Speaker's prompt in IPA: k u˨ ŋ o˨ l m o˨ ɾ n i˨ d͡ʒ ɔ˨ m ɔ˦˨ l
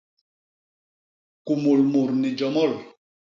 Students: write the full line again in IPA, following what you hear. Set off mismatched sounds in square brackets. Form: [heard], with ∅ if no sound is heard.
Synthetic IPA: k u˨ [m] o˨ l m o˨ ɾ n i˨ d͡ʒ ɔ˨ m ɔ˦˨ l